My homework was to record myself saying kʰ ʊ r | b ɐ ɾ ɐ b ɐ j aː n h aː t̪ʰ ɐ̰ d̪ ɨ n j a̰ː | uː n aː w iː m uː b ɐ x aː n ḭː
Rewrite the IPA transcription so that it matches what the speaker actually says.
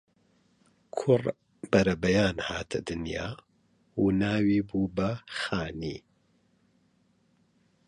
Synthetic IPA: kʰ ʊ r | b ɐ ɾ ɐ b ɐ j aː n h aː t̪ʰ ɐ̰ d̪ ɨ n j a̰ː | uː n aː w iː b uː b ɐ x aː n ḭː

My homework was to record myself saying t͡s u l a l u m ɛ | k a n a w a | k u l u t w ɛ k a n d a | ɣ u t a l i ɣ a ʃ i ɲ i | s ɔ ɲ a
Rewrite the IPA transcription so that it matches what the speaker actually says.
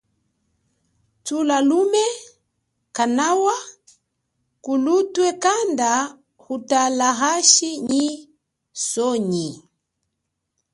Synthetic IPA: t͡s u l a l u m ɛ | k a n a w a | k u l u t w ɛ k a n d a | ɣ u t a l a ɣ a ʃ i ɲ i | s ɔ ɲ i

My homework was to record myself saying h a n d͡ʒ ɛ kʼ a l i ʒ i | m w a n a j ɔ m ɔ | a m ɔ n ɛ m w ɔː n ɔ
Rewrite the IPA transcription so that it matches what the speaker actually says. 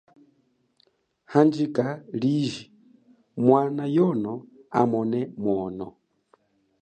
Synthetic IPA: h a n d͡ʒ i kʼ a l i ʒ i | m w a n a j ɔ n ɔ | a m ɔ n ɛ m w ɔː n ɔ

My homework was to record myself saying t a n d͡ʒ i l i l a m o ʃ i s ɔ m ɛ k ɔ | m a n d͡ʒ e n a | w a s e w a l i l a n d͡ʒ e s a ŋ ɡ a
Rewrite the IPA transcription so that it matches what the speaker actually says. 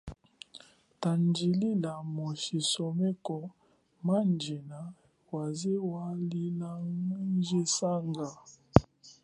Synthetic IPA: t a n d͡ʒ i l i l a m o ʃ i s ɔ m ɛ k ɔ | m a n d͡ʒ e n a | w a z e w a l i l a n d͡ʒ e s a ŋ ɡ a

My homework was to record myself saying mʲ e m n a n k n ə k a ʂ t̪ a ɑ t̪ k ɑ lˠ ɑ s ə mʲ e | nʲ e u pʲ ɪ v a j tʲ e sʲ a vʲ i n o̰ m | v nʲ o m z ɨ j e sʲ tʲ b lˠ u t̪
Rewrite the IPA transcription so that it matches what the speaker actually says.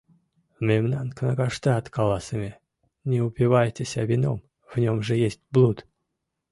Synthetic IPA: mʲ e m n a n k n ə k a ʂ t̪ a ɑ t̪ k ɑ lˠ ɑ s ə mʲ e | nʲ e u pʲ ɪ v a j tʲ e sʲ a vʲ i n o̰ m | v nʲ o m ʐ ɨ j e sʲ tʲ b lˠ u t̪

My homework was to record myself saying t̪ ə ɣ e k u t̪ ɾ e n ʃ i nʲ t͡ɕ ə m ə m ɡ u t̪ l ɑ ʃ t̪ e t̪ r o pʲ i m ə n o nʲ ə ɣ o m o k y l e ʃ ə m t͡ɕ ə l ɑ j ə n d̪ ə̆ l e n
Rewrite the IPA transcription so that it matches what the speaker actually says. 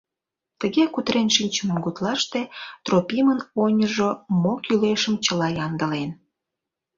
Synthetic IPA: t̪ ə ɣ e k u t̪ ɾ e n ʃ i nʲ t͡ɕ ə m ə m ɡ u t̪ l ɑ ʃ t̪ e t̪ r o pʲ i m ə n o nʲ ə ʒ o m o k y l e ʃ ə m t͡ɕ ə l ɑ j ɑ n d̪ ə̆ l e n

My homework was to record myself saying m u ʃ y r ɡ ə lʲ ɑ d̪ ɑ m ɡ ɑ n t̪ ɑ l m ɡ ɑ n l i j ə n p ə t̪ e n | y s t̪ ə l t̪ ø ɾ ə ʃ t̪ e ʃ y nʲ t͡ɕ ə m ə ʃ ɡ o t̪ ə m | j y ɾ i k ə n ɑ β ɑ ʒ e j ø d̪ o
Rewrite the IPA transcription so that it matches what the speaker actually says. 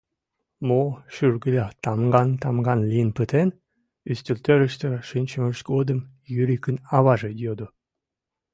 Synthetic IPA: m o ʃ y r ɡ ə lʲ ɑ t̪ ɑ m ɡ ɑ n t̪ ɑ m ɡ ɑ n l i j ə n p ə t̪ e n | y s t̪ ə l t̪ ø ɾ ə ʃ t̪ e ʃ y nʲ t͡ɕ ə m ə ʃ ɡ o d̪ ə m | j y ɾ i k ə n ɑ β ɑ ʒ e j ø d̪ o

